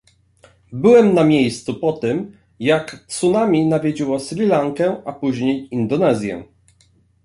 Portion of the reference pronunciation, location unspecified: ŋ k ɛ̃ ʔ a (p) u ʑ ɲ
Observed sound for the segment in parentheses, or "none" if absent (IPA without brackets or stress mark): p